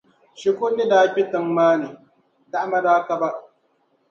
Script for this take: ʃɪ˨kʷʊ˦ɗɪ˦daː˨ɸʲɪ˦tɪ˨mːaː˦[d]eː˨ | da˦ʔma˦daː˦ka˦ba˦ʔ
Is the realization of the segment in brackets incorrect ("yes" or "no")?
yes